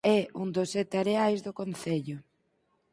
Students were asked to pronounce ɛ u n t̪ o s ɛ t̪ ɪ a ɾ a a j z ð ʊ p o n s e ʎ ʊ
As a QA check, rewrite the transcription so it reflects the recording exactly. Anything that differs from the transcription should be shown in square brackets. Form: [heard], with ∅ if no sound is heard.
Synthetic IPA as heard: ɛ u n [d̪] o s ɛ t̪ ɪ a ɾ [e] a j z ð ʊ [k] o n [θ] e ʎ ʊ